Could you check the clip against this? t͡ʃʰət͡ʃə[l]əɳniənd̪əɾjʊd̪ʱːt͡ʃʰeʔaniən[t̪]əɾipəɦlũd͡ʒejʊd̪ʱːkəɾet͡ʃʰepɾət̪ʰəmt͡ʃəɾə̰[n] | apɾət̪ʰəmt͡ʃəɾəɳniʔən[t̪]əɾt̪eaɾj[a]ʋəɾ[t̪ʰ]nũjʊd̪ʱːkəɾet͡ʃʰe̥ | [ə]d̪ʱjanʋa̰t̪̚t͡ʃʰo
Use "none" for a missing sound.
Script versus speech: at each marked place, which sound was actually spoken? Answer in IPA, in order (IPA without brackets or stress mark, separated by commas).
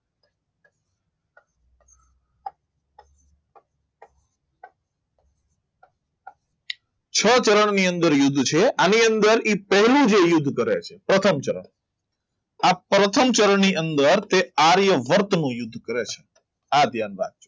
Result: ɾ, d̪, ɳ, d̪, ə, t̪, a